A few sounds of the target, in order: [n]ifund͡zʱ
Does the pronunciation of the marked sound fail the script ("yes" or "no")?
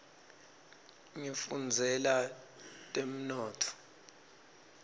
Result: yes